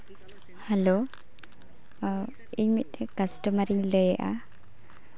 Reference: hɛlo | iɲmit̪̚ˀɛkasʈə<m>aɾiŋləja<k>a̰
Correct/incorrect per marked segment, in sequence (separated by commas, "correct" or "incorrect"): correct, incorrect